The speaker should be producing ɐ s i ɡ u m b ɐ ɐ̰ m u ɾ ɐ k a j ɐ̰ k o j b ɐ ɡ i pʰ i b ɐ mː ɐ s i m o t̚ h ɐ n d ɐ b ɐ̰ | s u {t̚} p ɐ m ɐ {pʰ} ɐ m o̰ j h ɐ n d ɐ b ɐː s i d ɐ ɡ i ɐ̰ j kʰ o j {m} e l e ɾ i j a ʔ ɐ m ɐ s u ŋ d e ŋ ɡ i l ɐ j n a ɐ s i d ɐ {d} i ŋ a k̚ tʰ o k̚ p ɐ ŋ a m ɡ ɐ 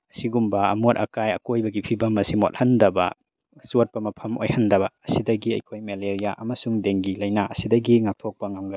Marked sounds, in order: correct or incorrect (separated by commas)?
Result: correct, correct, correct, incorrect